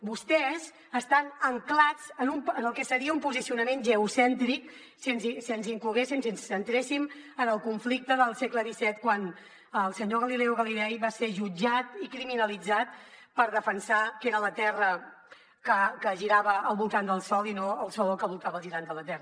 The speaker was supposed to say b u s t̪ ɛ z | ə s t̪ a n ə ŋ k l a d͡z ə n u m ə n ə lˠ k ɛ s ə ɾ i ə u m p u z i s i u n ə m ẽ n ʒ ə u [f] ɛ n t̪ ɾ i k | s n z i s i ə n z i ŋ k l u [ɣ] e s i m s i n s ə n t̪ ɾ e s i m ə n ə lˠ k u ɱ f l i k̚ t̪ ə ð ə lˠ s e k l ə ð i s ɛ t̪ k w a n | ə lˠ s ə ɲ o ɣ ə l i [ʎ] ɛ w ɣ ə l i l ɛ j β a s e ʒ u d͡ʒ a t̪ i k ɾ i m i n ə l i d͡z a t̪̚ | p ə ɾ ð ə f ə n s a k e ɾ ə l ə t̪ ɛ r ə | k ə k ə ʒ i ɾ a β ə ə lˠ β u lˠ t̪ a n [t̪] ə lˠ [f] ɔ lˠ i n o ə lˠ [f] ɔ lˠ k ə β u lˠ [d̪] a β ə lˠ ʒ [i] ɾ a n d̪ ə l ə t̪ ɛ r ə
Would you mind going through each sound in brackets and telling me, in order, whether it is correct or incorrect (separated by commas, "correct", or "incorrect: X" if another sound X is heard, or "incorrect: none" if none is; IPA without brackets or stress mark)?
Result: incorrect: s, correct, incorrect: l, incorrect: d̪, incorrect: s, incorrect: s, incorrect: t̪, correct